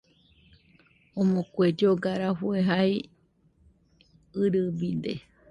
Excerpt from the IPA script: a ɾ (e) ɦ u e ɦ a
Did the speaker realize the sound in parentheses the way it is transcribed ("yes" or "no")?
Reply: no